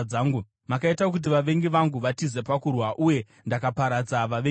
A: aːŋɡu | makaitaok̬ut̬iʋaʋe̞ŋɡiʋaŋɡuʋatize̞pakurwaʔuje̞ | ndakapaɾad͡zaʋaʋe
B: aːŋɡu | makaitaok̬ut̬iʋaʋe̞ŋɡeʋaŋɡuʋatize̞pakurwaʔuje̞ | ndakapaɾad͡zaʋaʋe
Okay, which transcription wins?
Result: A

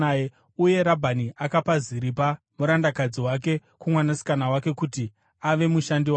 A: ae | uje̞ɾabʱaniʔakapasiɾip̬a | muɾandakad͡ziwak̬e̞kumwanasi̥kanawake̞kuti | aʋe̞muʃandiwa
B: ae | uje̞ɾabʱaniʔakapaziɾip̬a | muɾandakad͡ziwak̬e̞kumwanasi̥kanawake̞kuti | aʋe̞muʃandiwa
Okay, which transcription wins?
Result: B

